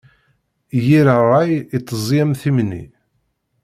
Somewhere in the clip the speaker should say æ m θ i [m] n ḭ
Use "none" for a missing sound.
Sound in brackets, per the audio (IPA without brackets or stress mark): m